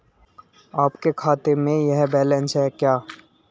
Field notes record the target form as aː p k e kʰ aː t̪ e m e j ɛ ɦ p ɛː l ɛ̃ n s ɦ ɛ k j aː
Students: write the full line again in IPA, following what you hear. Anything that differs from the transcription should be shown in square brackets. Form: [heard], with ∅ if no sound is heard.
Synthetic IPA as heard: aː p k e kʰ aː t̪ e m [ẽ] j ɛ ɦ [b] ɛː l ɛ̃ n s ɦ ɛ k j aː